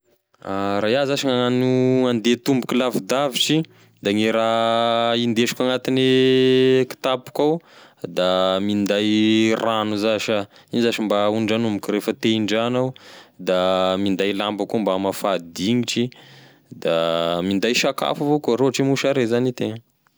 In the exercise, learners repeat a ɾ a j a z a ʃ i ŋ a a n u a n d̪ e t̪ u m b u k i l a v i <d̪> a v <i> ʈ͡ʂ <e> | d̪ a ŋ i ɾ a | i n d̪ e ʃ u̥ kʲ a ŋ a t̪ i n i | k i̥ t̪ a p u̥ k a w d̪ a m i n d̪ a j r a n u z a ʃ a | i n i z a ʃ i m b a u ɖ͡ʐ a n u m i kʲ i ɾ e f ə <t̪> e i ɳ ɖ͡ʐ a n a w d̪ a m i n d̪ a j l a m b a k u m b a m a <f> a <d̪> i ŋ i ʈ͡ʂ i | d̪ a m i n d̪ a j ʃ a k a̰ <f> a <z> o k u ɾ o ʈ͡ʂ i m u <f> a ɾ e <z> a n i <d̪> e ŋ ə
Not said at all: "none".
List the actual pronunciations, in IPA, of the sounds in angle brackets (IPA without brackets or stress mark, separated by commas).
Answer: d̪, i, i, t̪, f, d̪, f, v, ʃ, z, t̪